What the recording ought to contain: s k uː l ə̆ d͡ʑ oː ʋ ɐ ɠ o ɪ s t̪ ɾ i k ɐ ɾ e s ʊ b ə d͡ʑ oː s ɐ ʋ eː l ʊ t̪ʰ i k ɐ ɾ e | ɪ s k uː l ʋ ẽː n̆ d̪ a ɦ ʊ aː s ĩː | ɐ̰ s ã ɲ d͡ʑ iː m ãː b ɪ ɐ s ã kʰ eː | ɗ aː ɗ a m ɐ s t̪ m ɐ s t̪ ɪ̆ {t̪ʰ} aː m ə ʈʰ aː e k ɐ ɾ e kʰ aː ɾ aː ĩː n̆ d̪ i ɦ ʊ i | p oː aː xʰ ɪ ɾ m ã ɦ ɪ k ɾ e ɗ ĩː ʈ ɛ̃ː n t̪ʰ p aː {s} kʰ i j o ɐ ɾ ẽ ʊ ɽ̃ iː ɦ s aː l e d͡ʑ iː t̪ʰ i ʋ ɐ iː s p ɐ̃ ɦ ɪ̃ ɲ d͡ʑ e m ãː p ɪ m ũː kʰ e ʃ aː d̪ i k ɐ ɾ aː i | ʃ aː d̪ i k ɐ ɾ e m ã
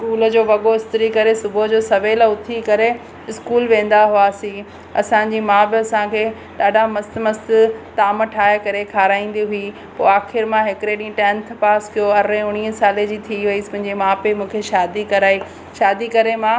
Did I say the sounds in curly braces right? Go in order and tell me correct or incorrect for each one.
incorrect, correct

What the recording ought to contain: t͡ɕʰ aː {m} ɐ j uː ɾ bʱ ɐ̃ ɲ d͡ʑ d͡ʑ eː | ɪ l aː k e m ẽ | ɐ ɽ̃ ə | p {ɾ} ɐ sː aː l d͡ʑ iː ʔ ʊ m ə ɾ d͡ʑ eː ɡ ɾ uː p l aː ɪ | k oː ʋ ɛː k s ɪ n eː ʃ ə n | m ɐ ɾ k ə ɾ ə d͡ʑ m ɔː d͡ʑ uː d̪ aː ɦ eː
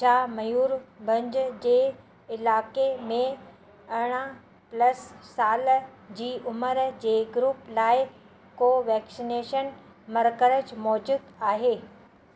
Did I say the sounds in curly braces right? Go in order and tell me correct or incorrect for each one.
correct, incorrect

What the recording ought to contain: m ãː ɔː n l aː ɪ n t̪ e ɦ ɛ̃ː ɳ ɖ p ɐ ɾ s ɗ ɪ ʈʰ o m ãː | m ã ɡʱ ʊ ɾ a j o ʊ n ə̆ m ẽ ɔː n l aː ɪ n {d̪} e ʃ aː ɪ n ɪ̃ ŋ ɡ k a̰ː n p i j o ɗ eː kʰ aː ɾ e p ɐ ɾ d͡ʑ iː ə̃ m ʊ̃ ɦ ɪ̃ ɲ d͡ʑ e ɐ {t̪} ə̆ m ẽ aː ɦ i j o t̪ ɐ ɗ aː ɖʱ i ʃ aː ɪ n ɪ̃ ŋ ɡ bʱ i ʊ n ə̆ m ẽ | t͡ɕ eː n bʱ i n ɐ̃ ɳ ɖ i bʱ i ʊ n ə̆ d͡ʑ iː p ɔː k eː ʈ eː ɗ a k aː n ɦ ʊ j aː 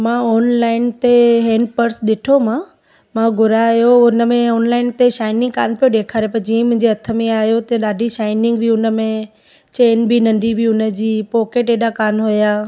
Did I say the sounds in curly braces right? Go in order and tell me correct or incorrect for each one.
incorrect, incorrect

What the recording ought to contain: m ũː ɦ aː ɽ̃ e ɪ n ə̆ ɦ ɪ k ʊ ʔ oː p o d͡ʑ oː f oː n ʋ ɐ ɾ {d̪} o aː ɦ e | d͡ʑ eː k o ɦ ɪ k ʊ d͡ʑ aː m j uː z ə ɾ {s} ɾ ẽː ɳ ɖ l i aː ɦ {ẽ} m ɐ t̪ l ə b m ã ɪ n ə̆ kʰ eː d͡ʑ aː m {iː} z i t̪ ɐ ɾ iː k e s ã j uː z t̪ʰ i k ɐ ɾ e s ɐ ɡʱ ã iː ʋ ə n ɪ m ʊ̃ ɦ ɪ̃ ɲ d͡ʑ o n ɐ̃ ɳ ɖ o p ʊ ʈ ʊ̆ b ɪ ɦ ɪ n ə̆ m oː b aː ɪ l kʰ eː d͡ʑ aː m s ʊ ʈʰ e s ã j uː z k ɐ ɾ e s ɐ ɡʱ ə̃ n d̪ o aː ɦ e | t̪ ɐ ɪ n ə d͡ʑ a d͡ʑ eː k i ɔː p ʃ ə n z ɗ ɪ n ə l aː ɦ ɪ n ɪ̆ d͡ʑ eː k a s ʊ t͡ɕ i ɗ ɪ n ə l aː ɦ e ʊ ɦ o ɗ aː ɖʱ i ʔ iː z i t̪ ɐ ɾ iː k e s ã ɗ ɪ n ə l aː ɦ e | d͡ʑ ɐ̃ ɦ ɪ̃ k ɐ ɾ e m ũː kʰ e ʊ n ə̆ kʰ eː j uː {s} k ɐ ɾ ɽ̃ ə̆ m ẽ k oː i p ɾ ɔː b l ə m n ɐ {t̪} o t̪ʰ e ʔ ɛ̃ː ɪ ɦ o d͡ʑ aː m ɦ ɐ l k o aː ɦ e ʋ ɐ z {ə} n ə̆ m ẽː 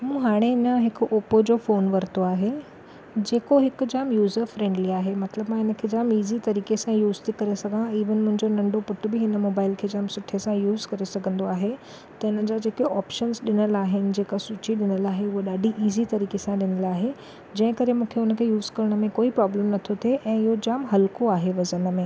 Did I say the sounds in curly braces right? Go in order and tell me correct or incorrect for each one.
incorrect, incorrect, incorrect, correct, incorrect, incorrect, correct

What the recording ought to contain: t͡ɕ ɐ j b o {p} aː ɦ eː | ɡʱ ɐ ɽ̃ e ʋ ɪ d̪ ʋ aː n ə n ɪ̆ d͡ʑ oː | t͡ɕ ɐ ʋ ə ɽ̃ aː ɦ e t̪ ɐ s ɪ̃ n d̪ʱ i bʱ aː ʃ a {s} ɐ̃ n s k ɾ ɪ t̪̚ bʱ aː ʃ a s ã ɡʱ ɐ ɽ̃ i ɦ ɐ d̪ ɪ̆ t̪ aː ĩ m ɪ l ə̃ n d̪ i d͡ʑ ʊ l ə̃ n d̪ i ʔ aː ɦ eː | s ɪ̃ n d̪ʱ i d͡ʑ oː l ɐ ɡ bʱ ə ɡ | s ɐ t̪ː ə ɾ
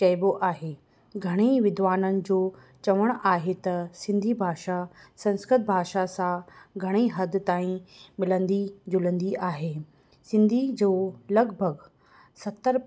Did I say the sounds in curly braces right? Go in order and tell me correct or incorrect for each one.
incorrect, correct

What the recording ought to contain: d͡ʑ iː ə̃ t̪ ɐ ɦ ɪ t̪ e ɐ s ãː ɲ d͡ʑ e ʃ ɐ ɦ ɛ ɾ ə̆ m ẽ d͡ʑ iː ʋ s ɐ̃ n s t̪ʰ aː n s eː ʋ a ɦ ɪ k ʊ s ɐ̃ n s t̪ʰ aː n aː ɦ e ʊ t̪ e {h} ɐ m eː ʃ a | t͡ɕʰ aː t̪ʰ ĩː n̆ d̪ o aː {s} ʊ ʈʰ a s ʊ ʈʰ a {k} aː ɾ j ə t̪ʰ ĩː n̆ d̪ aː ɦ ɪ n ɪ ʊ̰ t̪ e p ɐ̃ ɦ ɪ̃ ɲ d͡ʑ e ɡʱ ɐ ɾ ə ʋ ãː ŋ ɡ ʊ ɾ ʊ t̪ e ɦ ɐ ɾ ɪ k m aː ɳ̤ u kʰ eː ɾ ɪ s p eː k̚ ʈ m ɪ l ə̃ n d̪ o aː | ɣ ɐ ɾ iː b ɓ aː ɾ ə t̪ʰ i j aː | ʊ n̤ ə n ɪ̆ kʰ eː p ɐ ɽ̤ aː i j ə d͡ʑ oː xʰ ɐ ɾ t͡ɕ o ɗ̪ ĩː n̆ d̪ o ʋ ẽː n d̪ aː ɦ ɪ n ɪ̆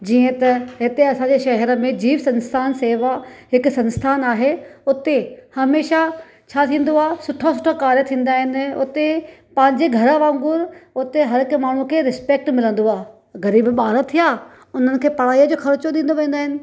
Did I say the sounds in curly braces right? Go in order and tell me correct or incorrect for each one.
correct, correct, correct

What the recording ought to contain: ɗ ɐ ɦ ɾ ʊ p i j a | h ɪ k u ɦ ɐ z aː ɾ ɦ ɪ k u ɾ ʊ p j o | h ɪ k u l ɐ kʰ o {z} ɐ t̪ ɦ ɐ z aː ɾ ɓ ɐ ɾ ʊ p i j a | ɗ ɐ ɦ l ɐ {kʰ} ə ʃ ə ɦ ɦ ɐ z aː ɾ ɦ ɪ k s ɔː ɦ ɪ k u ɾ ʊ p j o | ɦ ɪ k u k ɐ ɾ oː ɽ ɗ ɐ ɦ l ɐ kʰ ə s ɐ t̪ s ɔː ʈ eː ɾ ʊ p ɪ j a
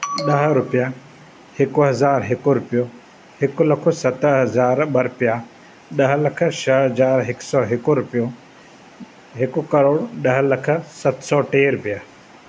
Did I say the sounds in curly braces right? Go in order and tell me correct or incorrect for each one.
incorrect, correct

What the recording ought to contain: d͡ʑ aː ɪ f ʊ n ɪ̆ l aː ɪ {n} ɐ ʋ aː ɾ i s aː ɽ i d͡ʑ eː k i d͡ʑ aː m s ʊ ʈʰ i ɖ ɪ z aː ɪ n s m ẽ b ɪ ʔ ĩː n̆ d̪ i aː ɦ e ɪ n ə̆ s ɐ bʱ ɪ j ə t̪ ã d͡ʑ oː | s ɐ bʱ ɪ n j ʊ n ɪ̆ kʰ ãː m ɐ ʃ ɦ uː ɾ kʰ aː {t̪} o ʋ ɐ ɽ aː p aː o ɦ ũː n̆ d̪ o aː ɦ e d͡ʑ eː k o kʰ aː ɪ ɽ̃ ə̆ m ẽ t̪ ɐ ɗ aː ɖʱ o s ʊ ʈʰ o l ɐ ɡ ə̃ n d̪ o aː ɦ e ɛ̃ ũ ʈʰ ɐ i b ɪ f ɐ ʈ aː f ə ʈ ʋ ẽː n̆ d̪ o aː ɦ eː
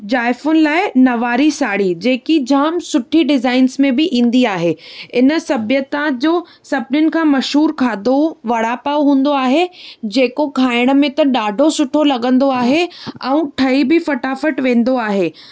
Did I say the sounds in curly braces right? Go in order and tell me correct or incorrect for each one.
correct, incorrect

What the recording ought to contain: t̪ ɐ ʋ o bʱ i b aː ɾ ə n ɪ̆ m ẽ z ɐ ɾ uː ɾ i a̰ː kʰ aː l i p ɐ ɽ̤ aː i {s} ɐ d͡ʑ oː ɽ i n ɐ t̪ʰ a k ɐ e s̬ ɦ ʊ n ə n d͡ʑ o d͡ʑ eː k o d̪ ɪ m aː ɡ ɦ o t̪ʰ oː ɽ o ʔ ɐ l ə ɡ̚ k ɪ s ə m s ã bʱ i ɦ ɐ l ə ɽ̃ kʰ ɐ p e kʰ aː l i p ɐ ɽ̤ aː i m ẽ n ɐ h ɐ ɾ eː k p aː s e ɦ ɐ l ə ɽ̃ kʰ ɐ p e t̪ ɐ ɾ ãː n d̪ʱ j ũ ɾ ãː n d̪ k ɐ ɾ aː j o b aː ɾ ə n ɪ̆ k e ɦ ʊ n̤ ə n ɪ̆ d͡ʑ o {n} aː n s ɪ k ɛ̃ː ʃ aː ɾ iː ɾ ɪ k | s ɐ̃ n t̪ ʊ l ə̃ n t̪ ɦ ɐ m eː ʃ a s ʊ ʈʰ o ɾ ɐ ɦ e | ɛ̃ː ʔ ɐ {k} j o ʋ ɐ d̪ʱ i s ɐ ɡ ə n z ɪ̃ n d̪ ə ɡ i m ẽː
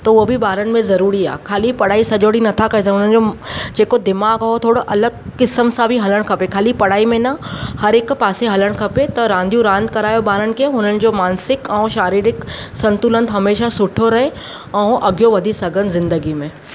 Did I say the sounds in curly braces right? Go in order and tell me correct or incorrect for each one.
correct, incorrect, incorrect

